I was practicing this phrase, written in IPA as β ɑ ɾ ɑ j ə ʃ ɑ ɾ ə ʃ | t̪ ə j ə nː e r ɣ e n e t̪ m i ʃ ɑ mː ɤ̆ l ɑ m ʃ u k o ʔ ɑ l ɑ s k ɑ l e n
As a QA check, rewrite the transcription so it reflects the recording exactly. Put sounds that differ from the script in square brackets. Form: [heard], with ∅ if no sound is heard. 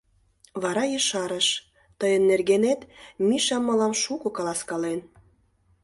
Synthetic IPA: β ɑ ɾ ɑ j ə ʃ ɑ ɾ ə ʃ | t̪ ə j ə nː e r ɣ e n e t̪ m i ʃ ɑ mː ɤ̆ l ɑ m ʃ u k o [k] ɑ l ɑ s k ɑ l e n